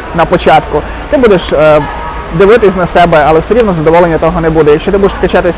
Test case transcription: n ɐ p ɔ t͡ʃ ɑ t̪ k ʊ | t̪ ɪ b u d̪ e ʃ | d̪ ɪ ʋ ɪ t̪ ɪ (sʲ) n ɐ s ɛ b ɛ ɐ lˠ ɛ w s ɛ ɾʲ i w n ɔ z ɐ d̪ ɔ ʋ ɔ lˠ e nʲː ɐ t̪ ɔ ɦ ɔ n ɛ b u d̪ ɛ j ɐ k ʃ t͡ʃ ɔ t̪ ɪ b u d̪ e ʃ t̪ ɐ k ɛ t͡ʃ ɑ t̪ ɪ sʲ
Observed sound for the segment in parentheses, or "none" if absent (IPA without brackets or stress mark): sʲ